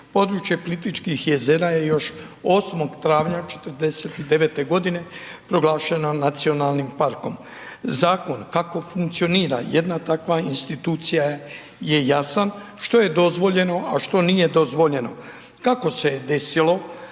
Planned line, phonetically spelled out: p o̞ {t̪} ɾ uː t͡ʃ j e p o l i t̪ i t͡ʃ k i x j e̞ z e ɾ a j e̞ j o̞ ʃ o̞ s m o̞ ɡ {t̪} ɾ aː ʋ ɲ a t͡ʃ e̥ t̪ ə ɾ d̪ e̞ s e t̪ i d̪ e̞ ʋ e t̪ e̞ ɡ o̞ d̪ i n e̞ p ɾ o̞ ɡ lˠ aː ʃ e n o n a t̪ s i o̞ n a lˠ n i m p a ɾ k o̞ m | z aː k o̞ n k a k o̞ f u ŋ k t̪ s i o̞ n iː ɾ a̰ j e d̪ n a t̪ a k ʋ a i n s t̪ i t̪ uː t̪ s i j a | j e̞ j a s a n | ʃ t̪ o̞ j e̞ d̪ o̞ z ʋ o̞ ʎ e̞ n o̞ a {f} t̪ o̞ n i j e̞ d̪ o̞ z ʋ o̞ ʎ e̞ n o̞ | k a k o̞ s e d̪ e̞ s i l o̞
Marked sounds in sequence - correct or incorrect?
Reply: incorrect, correct, incorrect

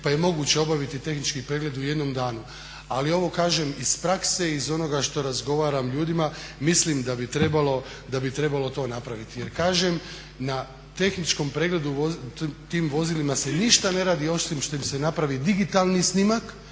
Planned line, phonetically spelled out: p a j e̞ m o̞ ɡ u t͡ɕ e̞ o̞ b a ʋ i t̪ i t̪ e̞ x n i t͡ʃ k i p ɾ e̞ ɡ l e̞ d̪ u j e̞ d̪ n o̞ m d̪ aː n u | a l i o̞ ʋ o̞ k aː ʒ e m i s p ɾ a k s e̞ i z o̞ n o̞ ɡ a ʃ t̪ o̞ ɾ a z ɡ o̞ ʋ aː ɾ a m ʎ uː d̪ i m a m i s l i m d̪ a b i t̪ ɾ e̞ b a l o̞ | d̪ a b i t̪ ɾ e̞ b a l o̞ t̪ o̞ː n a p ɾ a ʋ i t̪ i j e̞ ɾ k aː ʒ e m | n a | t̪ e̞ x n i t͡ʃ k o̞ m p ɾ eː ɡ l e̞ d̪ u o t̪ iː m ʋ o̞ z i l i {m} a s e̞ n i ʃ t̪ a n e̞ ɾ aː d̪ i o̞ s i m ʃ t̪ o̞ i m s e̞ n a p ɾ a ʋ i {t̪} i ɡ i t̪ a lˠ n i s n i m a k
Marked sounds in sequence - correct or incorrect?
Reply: correct, incorrect

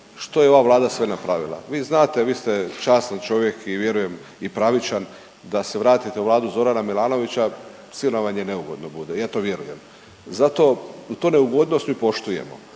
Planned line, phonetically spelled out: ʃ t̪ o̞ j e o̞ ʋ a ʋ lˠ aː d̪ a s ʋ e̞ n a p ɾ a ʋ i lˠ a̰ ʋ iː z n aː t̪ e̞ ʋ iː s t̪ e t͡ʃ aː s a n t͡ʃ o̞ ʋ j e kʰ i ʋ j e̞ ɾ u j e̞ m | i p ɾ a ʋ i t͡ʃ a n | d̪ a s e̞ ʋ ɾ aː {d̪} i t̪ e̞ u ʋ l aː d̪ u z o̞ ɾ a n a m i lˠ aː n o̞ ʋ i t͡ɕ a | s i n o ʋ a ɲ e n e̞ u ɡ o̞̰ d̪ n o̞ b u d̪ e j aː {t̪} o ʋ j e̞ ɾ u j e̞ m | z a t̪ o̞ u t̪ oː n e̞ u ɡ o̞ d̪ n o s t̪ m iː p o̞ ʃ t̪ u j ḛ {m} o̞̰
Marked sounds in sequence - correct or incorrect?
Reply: incorrect, correct, correct

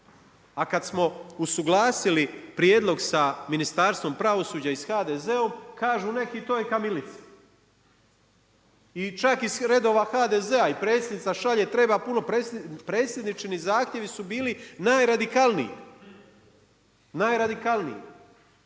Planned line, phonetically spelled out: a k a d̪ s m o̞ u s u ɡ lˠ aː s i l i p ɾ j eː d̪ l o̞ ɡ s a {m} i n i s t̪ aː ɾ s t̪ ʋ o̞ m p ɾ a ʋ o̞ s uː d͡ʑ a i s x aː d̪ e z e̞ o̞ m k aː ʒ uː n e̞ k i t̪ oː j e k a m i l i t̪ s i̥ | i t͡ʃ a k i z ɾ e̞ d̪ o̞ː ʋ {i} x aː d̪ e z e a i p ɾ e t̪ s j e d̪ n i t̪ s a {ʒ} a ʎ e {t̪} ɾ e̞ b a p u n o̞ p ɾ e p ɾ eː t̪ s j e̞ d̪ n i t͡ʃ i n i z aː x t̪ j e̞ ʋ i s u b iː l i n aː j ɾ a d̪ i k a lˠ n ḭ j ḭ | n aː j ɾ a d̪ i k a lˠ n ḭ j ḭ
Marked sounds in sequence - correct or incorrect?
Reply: correct, incorrect, incorrect, correct

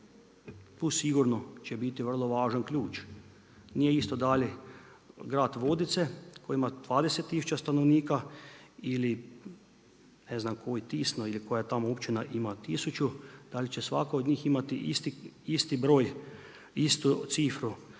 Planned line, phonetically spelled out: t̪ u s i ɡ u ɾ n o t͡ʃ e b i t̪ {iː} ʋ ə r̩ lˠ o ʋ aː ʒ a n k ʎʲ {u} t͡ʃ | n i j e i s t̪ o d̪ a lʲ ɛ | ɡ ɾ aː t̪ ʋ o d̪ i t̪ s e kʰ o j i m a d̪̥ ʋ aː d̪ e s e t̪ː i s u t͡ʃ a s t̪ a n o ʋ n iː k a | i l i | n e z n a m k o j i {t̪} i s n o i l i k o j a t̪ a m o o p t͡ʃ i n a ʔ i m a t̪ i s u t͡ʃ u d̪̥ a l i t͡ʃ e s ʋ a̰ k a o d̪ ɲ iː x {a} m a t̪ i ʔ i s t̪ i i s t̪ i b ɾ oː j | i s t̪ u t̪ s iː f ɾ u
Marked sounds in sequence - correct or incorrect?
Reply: incorrect, incorrect, correct, incorrect

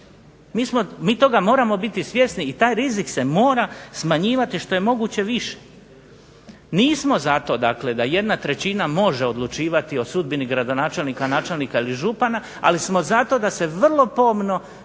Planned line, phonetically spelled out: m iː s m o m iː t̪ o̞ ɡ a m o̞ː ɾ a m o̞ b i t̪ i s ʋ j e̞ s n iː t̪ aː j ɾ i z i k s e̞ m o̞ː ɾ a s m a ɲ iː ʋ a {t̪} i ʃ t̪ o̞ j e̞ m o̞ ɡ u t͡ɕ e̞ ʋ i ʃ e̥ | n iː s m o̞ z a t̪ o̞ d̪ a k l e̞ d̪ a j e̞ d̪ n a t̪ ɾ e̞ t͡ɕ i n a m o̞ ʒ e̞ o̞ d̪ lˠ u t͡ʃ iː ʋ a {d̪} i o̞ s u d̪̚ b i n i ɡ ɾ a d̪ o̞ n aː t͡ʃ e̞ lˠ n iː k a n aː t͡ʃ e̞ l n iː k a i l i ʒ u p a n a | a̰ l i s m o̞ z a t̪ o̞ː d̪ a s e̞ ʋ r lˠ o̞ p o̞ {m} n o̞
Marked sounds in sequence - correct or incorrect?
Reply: correct, incorrect, correct

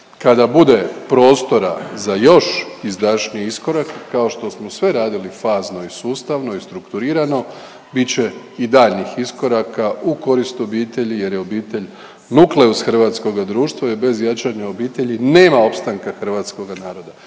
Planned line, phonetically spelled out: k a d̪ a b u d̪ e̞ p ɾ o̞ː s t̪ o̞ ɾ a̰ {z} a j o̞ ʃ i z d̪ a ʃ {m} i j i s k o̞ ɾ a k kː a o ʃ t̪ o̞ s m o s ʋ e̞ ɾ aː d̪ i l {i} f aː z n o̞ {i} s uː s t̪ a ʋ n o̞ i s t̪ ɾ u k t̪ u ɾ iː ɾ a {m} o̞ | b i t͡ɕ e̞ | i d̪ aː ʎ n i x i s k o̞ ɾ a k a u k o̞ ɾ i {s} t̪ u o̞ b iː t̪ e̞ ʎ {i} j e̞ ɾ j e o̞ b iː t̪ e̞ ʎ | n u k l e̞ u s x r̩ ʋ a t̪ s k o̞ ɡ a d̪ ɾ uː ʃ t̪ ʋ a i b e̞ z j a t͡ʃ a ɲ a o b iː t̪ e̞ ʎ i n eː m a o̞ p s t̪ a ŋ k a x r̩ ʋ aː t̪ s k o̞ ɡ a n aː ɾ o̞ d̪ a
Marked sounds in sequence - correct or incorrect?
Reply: correct, incorrect, correct, correct, incorrect, correct, correct

